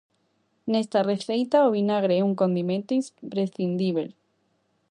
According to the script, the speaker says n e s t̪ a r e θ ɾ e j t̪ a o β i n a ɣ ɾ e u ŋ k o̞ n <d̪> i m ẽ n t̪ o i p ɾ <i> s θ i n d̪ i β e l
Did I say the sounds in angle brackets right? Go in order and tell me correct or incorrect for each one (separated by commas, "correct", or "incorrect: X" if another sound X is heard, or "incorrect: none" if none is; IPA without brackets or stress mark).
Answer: correct, incorrect: e